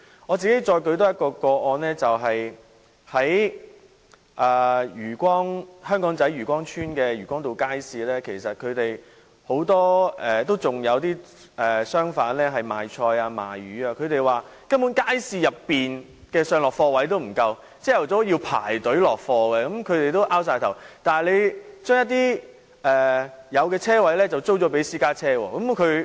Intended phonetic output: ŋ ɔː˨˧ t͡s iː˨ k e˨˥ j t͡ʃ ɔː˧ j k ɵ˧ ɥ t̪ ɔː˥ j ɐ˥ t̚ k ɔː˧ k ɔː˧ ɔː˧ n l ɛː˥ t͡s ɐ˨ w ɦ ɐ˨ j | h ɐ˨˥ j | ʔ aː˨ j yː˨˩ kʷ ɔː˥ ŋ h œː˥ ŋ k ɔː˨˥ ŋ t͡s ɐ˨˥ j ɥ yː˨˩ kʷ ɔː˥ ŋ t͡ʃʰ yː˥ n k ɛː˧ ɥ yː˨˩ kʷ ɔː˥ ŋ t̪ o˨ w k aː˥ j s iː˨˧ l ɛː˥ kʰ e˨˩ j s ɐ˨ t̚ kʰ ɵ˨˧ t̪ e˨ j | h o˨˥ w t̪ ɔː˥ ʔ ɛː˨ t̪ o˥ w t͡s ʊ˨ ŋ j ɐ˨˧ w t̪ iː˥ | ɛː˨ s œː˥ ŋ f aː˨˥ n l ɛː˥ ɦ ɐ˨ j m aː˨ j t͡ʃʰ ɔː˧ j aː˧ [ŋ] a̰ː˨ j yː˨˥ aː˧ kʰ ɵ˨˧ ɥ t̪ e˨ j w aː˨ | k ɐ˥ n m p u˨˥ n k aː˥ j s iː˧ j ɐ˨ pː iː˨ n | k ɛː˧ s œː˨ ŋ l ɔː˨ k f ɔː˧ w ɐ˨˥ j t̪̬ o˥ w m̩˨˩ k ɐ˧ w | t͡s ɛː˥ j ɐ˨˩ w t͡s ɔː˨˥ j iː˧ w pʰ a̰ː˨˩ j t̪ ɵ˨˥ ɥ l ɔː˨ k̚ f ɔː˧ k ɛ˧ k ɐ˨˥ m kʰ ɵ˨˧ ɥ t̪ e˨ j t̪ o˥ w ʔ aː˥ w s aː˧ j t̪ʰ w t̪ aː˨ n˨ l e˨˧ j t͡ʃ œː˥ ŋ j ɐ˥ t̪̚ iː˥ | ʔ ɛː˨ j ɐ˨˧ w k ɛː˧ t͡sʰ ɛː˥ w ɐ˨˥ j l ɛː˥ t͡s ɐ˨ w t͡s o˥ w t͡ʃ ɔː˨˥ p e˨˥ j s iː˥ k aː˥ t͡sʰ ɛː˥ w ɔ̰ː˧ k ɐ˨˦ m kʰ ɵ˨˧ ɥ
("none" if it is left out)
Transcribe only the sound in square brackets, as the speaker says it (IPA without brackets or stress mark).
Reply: m